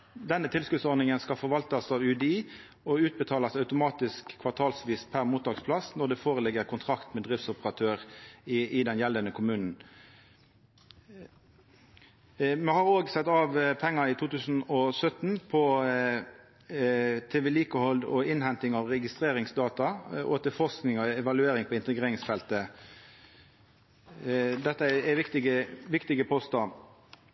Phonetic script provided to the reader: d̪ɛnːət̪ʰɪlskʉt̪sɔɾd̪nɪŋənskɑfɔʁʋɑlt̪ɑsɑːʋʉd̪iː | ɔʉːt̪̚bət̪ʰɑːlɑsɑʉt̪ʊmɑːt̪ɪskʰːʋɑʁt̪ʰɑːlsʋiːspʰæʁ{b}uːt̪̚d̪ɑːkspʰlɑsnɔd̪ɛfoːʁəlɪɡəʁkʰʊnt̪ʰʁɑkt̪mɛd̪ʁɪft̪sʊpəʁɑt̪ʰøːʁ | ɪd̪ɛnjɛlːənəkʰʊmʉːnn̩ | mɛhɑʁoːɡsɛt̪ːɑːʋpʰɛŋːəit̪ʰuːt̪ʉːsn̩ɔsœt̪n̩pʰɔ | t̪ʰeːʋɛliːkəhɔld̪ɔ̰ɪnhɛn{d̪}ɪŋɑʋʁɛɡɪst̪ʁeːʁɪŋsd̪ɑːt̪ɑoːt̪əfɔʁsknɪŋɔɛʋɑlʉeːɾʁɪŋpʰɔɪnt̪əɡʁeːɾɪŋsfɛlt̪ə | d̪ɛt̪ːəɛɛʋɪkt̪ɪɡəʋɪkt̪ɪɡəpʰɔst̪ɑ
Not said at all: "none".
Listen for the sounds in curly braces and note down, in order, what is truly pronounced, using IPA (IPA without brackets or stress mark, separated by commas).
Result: m, t̪